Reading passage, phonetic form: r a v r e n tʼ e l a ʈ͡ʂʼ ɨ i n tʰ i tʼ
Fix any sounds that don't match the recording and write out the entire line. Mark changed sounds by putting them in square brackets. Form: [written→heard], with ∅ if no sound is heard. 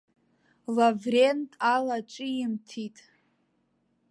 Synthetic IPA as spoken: [r→l] a v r e n tʼ [e→a] l a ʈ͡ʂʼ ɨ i [n→m] tʰ i tʼ